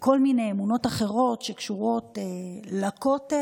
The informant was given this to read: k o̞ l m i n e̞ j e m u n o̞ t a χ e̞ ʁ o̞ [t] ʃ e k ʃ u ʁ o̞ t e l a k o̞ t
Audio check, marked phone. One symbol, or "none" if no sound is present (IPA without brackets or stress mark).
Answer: t